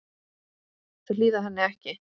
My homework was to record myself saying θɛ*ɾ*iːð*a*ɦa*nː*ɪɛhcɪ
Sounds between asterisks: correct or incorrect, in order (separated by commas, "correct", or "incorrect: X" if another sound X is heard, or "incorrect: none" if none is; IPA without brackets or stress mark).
incorrect: l, correct, correct